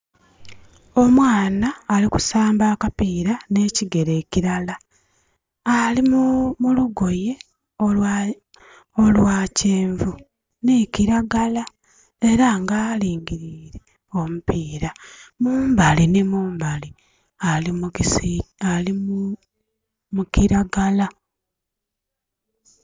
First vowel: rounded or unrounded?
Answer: rounded